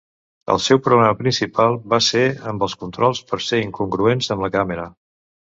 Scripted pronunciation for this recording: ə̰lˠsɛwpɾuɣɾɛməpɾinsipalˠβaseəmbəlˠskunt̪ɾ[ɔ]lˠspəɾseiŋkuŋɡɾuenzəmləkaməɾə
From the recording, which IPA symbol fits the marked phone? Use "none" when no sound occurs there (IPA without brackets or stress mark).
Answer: ɔ